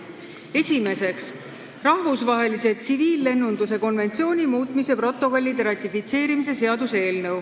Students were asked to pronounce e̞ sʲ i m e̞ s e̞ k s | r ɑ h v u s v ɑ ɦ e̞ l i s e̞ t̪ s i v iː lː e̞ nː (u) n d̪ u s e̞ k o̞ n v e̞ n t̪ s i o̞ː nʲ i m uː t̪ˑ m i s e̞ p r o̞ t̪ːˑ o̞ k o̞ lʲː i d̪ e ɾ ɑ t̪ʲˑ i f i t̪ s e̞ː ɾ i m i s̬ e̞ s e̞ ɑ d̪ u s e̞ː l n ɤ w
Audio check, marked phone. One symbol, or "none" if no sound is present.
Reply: u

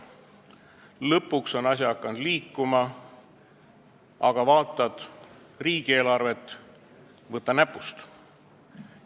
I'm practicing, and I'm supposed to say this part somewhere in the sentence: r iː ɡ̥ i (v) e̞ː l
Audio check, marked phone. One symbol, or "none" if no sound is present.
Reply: none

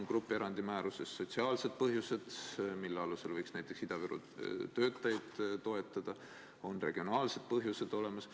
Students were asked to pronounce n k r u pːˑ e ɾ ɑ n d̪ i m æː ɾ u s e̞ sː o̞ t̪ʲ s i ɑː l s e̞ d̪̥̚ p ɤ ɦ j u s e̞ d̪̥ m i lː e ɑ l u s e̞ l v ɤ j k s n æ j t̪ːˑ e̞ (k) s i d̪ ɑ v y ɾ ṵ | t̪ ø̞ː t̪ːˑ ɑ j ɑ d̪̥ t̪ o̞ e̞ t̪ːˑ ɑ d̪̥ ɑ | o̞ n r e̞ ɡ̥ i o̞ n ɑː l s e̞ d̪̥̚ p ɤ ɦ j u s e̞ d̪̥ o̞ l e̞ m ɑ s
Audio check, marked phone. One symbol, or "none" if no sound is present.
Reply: k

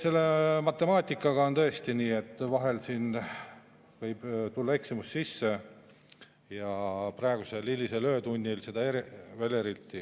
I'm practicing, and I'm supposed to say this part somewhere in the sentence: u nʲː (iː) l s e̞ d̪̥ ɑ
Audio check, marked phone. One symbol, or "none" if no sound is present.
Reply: i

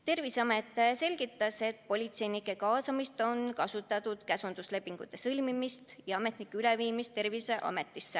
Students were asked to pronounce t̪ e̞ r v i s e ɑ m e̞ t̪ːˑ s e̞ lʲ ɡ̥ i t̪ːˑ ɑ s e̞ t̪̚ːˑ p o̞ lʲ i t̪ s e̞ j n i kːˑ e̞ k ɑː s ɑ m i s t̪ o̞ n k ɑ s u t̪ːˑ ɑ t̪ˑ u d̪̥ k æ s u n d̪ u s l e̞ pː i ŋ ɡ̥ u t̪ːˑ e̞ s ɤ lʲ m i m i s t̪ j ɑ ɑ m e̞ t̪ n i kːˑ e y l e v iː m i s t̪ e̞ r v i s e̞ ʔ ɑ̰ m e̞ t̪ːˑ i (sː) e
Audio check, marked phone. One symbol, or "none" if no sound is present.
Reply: sː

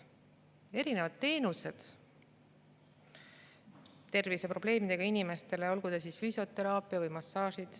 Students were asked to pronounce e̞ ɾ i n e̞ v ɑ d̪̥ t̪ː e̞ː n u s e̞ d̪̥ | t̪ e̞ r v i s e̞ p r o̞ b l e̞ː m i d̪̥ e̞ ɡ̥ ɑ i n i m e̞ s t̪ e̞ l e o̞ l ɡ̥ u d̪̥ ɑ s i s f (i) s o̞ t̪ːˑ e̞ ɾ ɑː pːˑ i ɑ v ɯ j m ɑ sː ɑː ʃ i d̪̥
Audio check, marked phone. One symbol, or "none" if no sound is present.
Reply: y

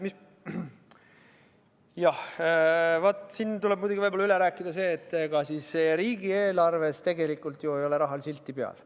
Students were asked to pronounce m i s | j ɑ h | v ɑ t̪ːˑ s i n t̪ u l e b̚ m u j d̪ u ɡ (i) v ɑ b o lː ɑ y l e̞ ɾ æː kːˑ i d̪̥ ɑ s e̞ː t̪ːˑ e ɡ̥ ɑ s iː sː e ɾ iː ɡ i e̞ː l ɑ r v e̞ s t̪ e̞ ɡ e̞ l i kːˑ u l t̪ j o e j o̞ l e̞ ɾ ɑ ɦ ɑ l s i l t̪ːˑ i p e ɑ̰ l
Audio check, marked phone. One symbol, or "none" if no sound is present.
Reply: i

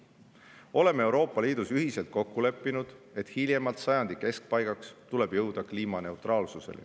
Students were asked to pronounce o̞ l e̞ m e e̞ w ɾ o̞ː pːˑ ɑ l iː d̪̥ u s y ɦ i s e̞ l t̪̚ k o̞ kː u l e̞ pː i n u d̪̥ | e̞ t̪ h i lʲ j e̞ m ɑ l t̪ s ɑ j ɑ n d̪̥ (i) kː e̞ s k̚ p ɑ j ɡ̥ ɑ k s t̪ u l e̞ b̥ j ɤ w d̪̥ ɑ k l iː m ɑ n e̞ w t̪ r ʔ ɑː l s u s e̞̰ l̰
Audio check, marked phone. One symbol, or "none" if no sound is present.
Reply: i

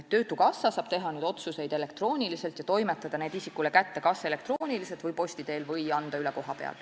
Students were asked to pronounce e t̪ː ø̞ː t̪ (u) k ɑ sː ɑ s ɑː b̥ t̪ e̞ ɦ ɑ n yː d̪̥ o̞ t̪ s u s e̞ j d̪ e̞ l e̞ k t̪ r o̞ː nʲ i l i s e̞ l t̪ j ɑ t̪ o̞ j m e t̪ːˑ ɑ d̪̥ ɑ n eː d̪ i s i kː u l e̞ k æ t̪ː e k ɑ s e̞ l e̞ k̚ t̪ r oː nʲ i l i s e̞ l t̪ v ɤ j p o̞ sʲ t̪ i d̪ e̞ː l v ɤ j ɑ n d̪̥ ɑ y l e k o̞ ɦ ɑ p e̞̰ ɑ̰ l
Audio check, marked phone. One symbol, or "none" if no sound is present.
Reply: u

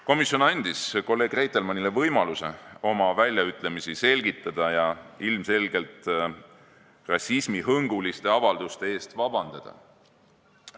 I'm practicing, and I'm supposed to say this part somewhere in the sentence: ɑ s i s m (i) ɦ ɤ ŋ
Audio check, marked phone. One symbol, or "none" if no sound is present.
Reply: i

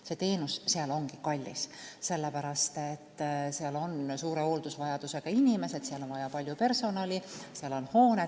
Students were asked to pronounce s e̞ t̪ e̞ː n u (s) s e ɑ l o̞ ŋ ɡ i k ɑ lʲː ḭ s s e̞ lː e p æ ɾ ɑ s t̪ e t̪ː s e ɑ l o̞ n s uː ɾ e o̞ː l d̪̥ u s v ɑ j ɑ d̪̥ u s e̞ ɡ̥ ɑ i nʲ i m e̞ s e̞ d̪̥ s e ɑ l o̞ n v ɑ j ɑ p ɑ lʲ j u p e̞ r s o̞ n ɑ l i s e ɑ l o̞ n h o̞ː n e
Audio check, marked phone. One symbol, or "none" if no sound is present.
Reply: s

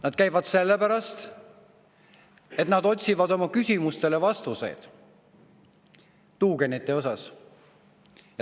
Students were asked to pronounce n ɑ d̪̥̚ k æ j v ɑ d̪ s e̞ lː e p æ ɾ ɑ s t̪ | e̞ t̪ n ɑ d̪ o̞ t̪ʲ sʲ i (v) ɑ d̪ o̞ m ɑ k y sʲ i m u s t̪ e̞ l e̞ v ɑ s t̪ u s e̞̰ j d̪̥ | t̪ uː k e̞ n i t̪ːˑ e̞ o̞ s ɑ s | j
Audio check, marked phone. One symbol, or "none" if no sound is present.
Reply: v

